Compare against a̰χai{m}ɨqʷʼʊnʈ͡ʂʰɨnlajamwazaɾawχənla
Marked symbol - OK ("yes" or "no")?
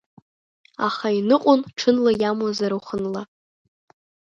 no